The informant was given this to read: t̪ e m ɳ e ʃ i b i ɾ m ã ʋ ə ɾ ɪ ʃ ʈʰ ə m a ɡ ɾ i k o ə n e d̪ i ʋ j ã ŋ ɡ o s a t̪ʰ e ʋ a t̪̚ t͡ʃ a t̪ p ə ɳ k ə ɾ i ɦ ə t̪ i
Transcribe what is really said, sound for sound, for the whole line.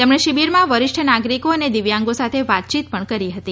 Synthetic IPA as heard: t̪ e m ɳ e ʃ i b i ɾ m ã ʋ ə ɾ ɪ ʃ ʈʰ ə n a ɡ ɾ i k o ə n e d̪ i ʋ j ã ŋ ɡ o s a t̪ʰ e ʋ a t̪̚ t͡ʃ i t̪ p ə ɳ k ə ɾ i ɦ ə t̪ i